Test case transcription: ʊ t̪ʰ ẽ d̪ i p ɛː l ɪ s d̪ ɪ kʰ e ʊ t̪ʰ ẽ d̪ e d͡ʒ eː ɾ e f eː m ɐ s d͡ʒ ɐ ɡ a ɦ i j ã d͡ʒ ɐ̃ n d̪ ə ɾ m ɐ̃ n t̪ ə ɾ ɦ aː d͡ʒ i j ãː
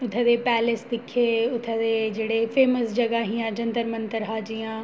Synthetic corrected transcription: ʊ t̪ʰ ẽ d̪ e p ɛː l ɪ s d̪ ɪ kʰ e ʊ t̪ʰ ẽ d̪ e d͡ʒ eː ɽ e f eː m ə s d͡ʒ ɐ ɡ a ɦ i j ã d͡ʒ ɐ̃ n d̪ ə ɾ m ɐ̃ n t̪ ə ɾ ɦ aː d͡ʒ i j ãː